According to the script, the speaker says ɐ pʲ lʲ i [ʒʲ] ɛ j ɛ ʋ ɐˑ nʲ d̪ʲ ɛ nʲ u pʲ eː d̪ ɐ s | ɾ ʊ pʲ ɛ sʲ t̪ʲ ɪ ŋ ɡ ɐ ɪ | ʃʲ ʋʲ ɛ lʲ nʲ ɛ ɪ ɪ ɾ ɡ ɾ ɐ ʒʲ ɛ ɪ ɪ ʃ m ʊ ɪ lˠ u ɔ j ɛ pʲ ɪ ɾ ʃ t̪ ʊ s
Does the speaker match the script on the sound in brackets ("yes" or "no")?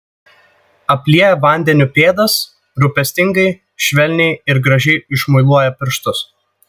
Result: no